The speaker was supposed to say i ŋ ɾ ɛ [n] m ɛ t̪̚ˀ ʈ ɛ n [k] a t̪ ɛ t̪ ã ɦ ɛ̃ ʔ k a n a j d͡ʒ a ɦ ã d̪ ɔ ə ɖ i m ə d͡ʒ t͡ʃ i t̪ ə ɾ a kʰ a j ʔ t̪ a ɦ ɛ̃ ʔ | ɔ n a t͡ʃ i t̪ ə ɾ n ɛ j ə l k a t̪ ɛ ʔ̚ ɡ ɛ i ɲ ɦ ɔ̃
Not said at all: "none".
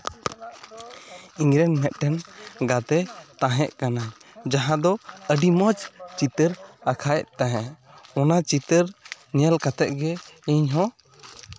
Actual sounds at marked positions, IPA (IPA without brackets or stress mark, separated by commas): n, ɡ